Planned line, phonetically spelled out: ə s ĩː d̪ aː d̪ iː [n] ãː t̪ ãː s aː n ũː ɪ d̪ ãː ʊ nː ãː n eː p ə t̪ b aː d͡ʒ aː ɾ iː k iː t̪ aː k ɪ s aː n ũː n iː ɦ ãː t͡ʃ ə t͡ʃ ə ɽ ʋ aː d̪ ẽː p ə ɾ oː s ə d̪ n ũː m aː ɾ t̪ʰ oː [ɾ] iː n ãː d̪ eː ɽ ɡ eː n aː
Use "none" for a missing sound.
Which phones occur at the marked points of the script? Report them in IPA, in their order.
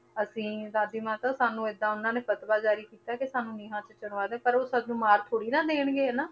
m, ɽ

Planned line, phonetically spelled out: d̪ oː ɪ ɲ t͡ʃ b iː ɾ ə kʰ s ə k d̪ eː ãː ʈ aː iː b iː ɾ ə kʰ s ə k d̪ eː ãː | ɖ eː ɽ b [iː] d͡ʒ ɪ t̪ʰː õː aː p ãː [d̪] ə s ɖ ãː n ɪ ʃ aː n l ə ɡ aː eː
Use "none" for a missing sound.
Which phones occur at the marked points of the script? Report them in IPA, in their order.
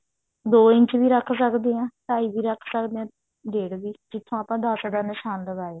iː, d̪

